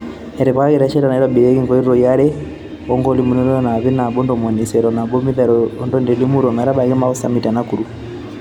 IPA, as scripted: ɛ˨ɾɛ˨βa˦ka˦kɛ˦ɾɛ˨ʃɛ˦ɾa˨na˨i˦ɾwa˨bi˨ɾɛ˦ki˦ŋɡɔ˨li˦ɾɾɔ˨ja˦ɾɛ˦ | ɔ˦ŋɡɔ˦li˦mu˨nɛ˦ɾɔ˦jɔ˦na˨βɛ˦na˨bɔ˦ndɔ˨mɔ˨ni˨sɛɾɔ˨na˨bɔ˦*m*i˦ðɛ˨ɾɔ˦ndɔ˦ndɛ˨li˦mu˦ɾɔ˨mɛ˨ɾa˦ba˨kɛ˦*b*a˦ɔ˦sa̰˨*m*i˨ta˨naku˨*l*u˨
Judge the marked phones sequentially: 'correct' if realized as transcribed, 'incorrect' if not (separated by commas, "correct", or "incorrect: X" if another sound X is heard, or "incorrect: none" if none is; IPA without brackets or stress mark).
correct, incorrect: m, correct, incorrect: ɾ